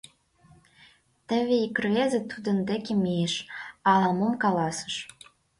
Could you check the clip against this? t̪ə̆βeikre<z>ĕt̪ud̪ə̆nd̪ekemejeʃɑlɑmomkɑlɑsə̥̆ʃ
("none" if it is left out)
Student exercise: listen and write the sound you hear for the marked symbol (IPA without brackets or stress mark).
z